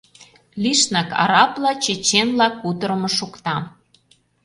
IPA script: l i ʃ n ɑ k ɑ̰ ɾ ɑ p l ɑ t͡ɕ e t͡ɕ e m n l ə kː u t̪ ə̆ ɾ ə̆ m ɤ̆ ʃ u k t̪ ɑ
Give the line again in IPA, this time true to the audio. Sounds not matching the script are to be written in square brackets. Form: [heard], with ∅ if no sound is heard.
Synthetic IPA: l i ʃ n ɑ k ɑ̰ ɾ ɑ p l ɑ t͡ɕ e t͡ɕ e [∅] n l [ɑ] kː u t̪ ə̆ ɾ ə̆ m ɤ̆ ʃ u k t̪ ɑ